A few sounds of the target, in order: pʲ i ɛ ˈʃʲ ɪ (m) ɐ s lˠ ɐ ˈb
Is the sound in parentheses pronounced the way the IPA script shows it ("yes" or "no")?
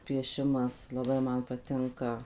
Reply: yes